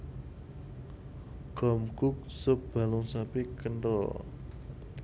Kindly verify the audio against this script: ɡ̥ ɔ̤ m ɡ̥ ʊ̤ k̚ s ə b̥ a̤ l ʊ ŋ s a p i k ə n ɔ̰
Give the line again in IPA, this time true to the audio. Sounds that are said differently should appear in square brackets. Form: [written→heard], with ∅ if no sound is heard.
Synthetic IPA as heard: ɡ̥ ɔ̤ m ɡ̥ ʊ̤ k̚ s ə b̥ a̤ l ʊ ŋ s a p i k ə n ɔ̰